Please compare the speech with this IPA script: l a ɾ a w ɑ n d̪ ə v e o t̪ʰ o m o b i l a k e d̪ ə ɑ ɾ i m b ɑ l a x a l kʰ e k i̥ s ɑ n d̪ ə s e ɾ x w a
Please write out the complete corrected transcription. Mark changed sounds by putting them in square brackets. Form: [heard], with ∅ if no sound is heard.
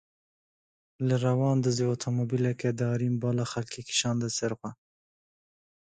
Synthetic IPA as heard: l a ɾ a w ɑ n d̪ ə [z] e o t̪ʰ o m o b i l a k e d̪ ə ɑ ɾ i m b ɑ l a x a l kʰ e k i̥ [ʃ] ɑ n d̪ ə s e ɾ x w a

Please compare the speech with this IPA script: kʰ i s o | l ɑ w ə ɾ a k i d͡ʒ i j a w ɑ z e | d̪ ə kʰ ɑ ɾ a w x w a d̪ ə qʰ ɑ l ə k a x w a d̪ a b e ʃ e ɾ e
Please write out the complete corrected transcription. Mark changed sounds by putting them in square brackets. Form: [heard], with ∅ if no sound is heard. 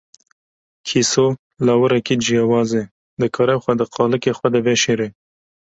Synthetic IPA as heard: kʰ i s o | l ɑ w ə ɾ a k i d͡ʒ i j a w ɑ z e | d̪ ə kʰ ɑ ɾ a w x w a d̪ ə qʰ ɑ l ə k [e] x w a d̪ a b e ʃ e ɾ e

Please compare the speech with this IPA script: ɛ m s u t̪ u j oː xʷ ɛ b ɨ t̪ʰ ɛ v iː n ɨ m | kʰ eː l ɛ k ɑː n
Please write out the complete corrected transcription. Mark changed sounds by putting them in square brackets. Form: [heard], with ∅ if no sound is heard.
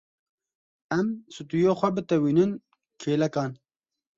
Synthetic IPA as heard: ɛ m s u t̪ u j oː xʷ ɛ b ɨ [t̪] ɛ [w] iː n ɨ [n] | kʰ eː l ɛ k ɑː n

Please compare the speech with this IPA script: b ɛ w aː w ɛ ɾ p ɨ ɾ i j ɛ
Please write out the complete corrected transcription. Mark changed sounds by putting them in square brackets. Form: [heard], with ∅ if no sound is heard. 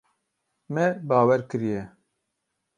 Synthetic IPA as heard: [m] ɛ [b] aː w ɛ ɾ [k] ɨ ɾ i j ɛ

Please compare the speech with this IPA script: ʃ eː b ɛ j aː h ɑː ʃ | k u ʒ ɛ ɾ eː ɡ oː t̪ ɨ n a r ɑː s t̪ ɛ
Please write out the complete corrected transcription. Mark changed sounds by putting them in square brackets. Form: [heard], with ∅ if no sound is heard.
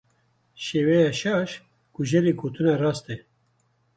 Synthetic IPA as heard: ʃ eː [w] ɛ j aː [ʃ] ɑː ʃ | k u ʒ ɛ ɾ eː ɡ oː t̪ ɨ n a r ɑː s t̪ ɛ

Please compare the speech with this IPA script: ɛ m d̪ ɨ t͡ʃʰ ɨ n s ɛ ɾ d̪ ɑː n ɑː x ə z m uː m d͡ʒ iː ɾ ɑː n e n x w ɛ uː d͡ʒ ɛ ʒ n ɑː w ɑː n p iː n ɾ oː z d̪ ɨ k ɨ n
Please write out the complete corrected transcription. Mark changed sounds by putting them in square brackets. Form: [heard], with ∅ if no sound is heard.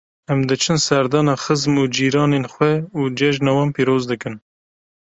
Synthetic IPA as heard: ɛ m d̪ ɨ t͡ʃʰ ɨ n s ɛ ɾ d̪ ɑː n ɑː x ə z m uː [∅] d͡ʒ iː ɾ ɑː n e n x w ɛ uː d͡ʒ ɛ ʒ n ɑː w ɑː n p iː [∅] ɾ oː z d̪ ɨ k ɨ n

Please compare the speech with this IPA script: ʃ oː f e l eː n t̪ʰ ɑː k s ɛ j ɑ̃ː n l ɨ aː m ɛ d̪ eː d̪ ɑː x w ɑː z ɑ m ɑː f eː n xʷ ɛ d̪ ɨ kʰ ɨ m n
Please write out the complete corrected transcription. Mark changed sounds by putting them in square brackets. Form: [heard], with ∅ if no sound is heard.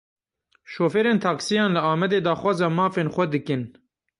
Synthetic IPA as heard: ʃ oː f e [ɾ] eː n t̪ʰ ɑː k s [i] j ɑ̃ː n l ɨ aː m ɛ d̪ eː d̪ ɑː x w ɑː z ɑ m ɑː f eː n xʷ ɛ d̪ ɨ [k] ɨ [∅] n

